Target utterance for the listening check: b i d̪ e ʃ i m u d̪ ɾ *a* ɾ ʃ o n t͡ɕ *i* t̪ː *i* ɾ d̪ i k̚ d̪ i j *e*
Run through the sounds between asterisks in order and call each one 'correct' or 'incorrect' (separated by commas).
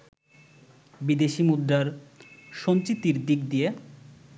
correct, correct, correct, correct